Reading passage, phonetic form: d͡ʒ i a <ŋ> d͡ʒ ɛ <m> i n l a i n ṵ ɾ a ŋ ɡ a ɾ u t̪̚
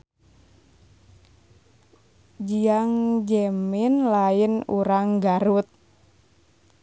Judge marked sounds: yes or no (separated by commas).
yes, yes